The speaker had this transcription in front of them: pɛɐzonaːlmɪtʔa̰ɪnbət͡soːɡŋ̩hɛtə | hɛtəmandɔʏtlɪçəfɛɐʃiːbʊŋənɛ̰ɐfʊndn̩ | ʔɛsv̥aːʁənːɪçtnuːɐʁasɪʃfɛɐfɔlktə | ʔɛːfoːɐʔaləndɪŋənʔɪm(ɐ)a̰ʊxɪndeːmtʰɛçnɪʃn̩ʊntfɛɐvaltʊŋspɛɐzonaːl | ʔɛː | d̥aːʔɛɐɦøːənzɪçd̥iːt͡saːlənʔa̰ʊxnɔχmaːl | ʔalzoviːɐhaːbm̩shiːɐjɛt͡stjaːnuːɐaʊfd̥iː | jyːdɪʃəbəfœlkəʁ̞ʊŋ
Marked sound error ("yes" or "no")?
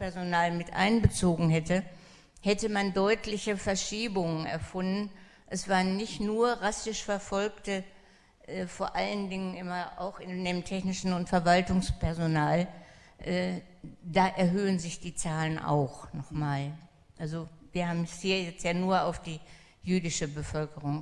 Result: no